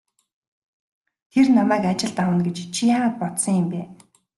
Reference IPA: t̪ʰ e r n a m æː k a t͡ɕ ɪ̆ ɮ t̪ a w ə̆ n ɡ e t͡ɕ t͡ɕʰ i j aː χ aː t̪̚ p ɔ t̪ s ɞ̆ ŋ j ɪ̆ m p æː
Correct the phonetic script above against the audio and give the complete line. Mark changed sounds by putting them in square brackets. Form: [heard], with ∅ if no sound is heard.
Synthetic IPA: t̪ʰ e r n a m æː k a t͡ɕ ɪ̆ ɮ t̪ a w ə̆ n ɡ e t͡ɕ t͡ɕʰ i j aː [ʁ] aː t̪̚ p ɔ t̪ s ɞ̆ ŋ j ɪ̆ m p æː